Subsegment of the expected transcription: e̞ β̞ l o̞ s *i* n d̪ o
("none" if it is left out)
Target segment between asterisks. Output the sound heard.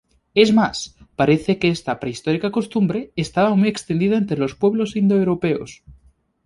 i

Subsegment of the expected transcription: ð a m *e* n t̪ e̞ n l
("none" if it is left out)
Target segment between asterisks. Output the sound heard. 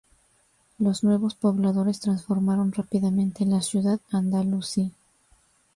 ẽ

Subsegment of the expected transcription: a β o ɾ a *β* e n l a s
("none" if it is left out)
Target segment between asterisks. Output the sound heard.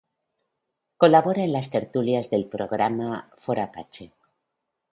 none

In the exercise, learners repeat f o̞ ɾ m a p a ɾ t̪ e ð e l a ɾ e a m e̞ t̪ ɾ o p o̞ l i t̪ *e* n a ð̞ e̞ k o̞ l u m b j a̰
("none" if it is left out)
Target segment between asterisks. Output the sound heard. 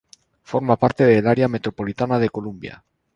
a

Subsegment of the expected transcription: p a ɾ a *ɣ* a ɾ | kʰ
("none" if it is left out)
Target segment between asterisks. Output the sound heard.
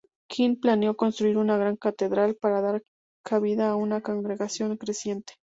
ð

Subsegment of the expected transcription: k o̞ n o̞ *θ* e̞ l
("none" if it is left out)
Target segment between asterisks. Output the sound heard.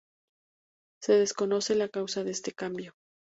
s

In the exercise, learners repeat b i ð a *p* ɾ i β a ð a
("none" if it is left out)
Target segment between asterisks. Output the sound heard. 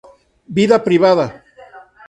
p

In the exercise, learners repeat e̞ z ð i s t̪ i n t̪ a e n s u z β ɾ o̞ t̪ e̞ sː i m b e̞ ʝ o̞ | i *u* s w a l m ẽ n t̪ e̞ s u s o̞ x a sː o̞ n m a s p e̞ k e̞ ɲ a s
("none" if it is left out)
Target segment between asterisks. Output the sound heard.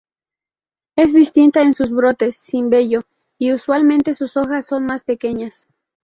u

